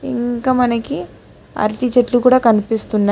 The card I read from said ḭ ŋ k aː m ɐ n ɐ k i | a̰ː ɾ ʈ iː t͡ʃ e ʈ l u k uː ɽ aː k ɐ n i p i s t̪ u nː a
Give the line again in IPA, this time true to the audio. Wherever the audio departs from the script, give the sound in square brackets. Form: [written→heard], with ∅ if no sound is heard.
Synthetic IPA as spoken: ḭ ŋ k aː m ɐ n ɐ k i | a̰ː ɾ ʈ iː t͡ʃ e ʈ l u k uː ɽ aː k ɐ n i p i s t̪ u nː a